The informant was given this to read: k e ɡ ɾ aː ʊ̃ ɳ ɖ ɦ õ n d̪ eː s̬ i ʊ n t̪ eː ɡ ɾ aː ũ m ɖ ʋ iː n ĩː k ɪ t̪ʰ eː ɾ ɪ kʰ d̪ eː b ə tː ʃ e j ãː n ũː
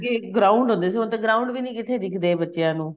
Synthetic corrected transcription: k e ɡ ɾ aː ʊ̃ ɳ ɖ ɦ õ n d̪ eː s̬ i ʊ n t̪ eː ɡ ɾ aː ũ ɳ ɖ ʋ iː n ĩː k ɪ t̪ʰ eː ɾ ɪ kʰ d̪ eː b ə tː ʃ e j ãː n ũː